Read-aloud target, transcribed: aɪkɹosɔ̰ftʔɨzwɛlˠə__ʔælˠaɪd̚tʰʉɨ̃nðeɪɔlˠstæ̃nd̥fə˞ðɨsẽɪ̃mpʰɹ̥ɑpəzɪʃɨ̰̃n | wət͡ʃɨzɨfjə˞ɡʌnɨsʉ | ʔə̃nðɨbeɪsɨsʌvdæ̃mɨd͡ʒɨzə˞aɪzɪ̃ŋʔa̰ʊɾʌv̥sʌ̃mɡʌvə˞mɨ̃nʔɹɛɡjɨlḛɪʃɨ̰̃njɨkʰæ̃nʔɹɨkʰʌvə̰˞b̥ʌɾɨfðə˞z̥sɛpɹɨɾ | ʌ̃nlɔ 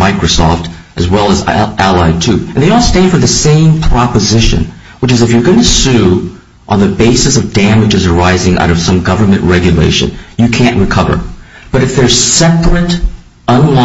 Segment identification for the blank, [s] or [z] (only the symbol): z